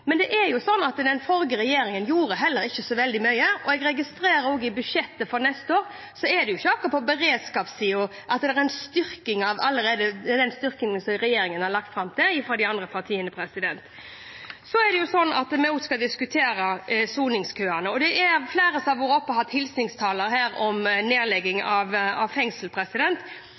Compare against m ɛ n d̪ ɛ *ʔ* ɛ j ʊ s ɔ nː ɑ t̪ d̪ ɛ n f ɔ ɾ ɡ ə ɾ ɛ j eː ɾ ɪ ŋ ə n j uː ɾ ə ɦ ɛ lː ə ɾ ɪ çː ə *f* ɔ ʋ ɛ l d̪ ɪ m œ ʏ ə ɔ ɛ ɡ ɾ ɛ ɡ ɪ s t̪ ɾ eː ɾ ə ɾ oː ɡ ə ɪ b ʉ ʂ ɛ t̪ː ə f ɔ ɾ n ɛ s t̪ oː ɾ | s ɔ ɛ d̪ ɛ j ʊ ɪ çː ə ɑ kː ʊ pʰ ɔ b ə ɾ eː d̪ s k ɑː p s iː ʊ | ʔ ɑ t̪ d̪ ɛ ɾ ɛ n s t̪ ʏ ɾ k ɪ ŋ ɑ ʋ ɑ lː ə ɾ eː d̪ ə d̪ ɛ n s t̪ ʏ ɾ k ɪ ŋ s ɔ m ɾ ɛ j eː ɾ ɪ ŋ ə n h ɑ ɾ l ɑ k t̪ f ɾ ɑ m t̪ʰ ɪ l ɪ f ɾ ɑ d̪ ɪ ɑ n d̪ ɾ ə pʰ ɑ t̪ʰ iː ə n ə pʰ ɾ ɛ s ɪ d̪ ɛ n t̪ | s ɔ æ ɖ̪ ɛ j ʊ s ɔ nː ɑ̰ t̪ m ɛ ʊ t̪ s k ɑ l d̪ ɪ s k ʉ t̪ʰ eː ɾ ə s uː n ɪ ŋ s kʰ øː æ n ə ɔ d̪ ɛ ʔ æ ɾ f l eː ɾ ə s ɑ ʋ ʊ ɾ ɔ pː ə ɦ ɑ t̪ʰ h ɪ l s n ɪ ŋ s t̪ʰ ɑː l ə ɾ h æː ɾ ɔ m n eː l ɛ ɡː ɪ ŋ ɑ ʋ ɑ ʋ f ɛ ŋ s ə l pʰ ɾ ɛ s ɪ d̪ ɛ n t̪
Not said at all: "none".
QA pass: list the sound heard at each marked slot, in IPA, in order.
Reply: ʔ, s

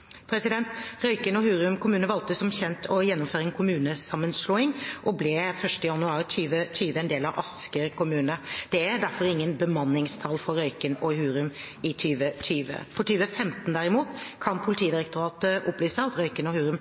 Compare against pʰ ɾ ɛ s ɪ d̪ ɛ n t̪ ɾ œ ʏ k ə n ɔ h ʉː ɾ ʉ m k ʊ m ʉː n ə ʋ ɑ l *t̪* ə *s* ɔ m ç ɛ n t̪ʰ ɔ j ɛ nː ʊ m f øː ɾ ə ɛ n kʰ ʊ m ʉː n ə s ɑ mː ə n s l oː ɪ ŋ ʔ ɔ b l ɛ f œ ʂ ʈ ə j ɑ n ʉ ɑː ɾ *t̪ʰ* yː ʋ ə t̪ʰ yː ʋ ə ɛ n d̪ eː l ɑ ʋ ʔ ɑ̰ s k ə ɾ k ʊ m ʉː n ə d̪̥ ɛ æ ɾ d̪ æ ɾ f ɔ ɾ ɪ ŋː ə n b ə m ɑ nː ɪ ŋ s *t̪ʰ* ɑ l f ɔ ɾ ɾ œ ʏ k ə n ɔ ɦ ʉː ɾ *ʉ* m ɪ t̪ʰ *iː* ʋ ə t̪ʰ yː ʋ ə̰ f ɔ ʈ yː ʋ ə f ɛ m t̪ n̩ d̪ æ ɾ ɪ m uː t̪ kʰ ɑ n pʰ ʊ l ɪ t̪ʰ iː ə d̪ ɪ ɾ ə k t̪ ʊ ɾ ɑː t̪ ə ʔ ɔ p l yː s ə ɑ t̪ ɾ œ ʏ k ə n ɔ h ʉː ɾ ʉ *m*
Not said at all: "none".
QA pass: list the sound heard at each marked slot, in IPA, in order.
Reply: t̪, s, t̪ʰ, t̪ʰ, ʉ, yː, m

